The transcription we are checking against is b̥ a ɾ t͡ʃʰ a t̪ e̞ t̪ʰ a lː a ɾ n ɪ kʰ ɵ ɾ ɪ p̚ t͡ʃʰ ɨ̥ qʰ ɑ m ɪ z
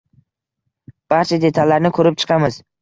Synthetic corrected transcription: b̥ a ɾ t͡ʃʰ a d̪ e̞ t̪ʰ a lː a ɾ n ɪ kʰ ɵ ɾ ɪ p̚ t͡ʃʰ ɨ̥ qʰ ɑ m ɪ z